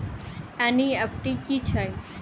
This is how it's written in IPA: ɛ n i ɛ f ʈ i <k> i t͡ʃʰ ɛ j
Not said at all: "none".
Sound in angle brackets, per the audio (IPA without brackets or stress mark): k